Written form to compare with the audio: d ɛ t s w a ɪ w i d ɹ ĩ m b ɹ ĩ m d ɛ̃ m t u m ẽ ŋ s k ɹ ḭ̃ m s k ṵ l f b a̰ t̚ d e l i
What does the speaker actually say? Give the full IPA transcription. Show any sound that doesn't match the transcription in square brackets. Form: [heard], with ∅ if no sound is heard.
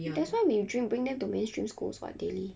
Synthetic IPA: d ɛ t s w a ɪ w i d ɹ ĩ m b ɹ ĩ [ŋ] d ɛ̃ m t u m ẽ [n] s [t] ɹ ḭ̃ m s k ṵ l [s] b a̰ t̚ d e l i